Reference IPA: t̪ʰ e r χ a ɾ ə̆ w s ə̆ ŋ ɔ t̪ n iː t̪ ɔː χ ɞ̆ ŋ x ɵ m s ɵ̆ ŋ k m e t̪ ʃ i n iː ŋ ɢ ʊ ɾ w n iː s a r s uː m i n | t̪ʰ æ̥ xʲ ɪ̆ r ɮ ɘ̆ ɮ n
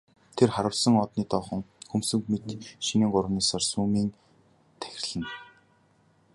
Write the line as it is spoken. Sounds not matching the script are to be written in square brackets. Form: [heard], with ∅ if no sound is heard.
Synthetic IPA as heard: t̪ʰ e r χ a ɾ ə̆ w s ə̆ ŋ ɔ t̪ n iː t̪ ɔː χ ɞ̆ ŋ x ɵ m s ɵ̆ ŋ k m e t̪ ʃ i n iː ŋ ɢ ʊ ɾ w n iː s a r s uː m [iː] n | t̪ʰ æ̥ xʲ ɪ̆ r ɮ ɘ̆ [∅] n